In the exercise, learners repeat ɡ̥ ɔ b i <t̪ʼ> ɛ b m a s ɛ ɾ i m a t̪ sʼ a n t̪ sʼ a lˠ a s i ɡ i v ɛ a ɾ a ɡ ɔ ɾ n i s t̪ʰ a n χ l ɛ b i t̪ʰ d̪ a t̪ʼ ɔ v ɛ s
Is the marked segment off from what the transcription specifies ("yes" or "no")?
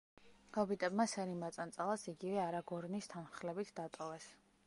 no